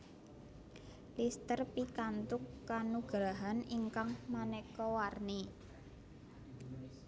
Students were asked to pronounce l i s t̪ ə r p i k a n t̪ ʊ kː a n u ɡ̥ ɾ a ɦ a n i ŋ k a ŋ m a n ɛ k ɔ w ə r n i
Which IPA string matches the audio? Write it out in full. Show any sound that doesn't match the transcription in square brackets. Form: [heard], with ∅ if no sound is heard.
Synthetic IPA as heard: l i s t̪ ə r p i k a n t̪ ʊ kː a n u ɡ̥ ɾ a ɦ a n i ŋ k a ŋ m a n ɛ k ɔ w [a] r n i